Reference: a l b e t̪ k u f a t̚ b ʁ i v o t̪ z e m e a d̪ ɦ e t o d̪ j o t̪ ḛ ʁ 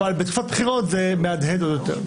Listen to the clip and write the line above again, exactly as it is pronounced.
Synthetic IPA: a l b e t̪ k u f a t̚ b χ i ʁ o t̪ z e m e a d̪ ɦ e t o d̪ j o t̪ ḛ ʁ